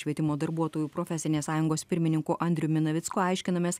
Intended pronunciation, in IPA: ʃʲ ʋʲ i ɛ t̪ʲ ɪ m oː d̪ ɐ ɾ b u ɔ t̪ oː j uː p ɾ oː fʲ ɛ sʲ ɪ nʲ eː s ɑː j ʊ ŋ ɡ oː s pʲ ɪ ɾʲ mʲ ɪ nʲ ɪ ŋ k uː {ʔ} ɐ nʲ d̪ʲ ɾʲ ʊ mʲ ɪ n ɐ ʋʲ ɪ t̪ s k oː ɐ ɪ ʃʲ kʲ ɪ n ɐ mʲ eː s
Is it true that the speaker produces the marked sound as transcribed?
yes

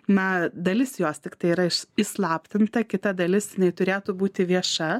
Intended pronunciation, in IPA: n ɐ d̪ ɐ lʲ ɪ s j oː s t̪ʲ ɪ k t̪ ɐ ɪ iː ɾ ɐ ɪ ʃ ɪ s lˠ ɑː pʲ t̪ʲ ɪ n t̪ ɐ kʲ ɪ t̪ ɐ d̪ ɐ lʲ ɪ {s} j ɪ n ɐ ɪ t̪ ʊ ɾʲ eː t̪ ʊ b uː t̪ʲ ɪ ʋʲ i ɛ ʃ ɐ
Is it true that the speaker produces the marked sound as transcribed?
yes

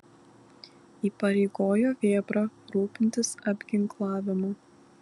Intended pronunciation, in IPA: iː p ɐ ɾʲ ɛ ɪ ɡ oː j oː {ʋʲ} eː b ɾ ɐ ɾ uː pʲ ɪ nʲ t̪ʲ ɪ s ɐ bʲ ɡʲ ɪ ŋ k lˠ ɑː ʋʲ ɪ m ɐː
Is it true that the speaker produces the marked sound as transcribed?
yes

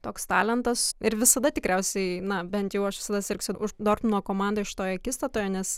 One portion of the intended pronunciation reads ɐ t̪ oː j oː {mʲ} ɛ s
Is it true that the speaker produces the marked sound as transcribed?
no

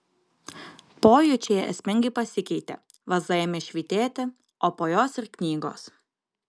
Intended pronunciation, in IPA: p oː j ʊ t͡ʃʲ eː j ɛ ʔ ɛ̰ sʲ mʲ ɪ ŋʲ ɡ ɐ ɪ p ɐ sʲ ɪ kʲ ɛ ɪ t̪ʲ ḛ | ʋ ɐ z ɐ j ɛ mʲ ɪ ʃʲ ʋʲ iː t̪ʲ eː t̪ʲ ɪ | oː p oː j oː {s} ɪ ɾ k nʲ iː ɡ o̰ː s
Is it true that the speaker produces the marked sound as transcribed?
yes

